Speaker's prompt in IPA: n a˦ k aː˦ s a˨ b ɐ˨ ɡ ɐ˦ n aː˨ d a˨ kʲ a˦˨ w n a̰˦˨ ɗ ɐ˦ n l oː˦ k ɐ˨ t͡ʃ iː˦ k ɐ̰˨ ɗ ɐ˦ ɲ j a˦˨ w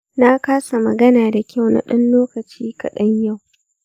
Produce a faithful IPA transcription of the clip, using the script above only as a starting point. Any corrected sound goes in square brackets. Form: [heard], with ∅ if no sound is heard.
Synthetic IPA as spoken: n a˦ k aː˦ s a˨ [m] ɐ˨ ɡ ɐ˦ n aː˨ d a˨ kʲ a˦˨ w n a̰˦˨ ɗ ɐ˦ n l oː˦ k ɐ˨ t͡ʃ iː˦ k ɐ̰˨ ɗ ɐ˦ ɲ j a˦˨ w